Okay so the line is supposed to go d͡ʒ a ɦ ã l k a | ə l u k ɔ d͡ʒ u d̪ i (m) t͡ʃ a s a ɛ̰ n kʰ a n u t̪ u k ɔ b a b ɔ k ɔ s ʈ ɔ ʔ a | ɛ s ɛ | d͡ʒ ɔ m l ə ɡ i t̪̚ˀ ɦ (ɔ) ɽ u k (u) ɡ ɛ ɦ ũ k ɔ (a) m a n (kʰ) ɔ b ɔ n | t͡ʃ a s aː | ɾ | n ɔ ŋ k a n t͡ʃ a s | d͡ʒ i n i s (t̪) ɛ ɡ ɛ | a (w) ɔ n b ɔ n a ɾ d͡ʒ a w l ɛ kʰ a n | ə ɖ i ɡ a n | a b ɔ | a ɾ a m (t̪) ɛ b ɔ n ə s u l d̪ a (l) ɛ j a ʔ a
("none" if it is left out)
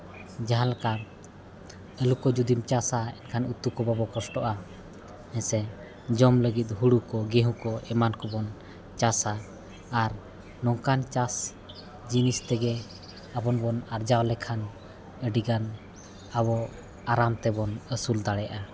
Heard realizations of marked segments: m, u, ɔ, ɛ, k, t̪, b, t̪, ɽ

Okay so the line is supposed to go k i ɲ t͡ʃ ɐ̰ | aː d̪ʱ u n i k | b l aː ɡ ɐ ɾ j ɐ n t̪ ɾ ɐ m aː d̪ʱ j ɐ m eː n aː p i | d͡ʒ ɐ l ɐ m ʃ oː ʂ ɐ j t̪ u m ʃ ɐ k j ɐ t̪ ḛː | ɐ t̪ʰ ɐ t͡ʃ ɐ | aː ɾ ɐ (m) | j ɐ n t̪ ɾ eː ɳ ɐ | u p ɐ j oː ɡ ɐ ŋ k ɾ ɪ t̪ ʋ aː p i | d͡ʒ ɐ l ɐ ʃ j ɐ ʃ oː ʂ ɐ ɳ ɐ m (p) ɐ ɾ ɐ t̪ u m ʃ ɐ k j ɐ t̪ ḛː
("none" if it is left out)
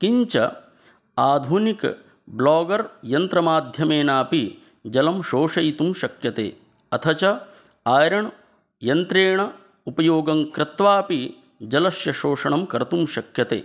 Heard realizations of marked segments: ɳ, k

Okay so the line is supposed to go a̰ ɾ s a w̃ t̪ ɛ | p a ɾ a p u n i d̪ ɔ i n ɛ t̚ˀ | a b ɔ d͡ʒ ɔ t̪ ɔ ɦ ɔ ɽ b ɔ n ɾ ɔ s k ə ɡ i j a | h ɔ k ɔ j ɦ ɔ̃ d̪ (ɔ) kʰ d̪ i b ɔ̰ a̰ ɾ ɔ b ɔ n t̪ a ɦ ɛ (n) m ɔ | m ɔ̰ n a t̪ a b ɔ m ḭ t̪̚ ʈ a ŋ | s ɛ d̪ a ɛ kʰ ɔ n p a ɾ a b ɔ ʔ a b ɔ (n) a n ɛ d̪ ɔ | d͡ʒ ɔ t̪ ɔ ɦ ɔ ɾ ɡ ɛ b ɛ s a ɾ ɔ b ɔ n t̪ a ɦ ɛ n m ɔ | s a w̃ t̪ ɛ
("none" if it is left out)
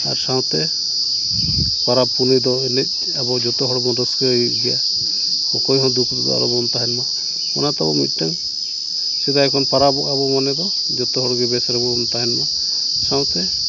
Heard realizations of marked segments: u, n, m

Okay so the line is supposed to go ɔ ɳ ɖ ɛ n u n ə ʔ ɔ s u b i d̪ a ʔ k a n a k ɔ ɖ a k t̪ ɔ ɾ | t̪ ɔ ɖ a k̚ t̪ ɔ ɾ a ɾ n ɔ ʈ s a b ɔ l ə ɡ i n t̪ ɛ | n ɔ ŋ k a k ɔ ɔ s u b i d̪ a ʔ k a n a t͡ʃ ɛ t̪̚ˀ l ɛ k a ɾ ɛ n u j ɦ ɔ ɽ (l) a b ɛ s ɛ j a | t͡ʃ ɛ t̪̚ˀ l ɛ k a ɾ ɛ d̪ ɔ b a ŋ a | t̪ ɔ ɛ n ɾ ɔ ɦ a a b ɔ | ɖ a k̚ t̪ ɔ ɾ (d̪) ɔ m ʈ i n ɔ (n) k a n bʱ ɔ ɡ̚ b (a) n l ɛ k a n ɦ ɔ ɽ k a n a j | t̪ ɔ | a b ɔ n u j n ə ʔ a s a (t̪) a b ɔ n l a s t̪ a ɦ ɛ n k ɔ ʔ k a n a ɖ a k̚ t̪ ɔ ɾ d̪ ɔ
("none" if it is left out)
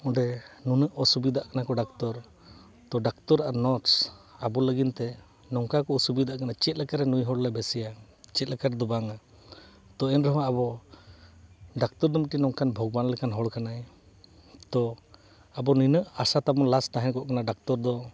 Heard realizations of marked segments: l, d̪, ŋ, a, t̪

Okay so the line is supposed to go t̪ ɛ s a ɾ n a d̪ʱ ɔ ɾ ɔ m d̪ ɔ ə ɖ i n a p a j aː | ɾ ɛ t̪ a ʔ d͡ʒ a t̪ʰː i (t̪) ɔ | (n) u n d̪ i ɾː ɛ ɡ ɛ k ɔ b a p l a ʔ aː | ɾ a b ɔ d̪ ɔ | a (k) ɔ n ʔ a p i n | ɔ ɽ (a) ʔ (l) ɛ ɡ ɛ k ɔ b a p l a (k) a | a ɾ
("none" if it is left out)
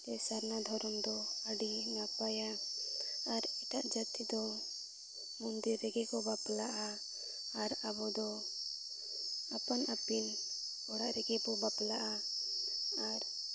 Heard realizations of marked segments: d̪, m, p, a, ɾ, ʔ

